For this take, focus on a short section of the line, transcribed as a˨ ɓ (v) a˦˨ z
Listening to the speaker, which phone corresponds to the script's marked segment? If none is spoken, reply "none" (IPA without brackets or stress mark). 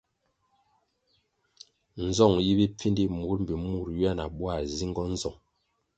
w